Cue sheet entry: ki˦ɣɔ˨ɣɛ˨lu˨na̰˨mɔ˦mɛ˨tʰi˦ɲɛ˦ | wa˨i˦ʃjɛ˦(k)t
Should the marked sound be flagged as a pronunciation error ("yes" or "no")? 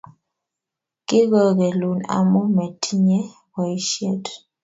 yes